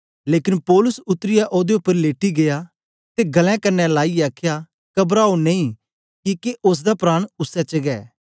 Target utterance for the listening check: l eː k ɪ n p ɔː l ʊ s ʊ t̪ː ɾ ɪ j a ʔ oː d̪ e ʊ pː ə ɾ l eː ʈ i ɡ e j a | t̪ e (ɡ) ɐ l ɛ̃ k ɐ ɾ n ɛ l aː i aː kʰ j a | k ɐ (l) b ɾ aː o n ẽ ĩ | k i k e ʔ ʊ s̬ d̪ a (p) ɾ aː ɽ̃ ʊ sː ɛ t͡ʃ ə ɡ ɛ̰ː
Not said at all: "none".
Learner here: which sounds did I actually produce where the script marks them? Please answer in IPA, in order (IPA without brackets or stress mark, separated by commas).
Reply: ɡ, none, p